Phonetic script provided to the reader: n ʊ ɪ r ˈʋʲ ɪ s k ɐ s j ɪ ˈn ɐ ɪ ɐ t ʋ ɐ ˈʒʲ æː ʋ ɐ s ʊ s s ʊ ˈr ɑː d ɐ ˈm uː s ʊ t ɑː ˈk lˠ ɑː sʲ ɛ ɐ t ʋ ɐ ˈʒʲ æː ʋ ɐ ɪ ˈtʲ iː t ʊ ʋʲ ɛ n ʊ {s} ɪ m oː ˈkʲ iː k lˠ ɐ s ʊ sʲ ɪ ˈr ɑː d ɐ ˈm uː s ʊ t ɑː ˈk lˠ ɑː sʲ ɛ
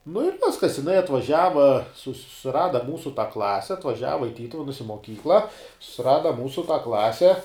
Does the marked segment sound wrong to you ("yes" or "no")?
no